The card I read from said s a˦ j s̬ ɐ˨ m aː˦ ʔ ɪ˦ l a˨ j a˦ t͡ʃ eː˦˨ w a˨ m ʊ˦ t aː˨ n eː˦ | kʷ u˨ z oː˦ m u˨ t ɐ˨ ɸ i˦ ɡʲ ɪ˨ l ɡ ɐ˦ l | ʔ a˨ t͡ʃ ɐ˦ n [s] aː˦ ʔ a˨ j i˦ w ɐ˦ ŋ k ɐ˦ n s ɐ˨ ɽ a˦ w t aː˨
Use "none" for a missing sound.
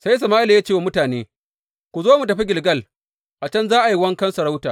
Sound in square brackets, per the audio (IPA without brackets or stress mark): z